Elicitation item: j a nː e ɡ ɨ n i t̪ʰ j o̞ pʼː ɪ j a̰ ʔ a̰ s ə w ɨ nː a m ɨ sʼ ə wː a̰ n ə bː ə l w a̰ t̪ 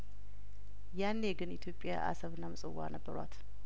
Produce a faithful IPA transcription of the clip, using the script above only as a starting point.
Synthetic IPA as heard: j a nː e ɡ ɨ n i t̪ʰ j o̞ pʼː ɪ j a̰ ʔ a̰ s ə β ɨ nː a m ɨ sʼ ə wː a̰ n ə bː ə ɾ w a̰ t̪